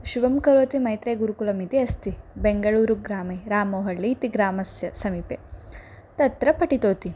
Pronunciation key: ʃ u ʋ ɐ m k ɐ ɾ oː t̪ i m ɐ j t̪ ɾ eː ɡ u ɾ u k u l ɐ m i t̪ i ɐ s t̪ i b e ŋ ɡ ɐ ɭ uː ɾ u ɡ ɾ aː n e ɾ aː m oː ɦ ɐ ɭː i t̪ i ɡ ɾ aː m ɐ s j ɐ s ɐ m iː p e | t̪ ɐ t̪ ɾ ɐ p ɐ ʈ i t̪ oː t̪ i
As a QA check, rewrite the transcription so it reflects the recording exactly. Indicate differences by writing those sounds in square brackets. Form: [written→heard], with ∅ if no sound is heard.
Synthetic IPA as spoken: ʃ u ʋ ɐ m k ɐ ɾ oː t̪ i m ɐ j t̪ ɾ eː ɡ u ɾ u k u l ɐ m i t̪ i ɐ s t̪ i b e ŋ ɡ ɐ ɭ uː ɾ u ɡ ɾ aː [n→m] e ɾ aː m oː ɦ ɐ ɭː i t̪ i ɡ ɾ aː m ɐ s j ɐ s ɐ m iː p e | t̪ ɐ t̪ ɾ ɐ p ɐ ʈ i t̪ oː t̪ i